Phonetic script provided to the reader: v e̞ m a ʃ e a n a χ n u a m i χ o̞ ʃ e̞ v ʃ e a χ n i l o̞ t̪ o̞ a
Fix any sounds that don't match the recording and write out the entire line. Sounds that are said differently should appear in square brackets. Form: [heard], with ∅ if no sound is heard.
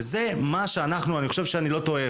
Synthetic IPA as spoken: [z] e̞ m a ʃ e a n a χ n u a [n] i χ o̞ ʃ e̞ v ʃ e a [∅] n i l o̞ t̪ o̞ [e]